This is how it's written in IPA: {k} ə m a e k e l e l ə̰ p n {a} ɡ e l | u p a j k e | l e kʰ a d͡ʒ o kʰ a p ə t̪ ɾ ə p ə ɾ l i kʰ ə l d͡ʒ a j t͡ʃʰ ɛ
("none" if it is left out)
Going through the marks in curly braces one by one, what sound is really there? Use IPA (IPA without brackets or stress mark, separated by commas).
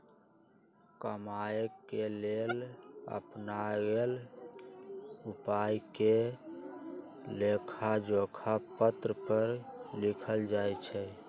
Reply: k, a